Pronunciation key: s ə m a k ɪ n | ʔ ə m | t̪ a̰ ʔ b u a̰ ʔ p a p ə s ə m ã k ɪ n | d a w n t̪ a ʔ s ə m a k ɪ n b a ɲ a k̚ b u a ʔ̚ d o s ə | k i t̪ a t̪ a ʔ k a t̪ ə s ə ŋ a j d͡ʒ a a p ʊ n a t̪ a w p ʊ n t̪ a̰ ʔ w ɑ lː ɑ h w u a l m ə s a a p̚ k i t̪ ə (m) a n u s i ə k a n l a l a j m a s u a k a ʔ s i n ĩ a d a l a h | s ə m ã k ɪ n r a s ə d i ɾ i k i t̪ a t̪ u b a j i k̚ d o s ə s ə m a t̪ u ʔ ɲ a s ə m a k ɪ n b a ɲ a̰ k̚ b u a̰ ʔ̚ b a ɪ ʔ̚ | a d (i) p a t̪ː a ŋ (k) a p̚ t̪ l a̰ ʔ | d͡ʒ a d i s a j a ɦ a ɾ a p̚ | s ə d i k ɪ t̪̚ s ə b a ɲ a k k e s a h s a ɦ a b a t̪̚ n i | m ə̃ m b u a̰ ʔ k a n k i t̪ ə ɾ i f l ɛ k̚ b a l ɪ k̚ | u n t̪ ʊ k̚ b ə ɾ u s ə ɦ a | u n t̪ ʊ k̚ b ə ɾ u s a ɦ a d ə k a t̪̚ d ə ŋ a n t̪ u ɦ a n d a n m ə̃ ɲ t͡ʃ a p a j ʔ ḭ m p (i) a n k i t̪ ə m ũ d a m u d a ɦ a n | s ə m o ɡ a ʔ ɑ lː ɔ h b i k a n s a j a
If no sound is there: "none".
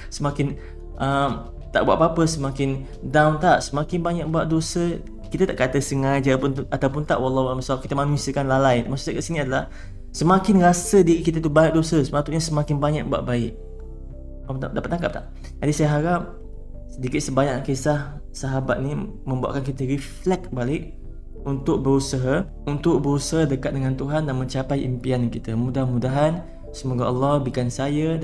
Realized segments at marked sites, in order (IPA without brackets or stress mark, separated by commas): m, a, k, i